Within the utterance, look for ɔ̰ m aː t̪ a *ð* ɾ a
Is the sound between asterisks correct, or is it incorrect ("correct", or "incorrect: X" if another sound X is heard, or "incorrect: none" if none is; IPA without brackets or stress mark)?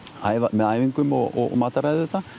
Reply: incorrect: none